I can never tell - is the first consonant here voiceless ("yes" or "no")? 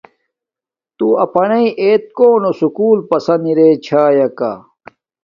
yes